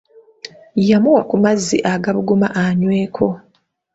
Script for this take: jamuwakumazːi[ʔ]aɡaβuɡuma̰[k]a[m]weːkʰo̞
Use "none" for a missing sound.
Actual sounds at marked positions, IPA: ʔ, ʔ, ɲ

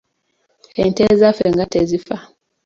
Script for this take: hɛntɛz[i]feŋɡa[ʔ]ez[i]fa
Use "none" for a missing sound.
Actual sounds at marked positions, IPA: a, t, i

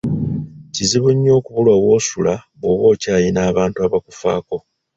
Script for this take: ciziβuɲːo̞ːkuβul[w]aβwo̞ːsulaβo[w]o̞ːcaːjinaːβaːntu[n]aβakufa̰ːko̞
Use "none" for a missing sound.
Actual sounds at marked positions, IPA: w, β, none

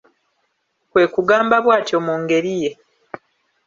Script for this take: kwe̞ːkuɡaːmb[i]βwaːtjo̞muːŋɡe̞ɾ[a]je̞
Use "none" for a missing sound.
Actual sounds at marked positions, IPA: a, i

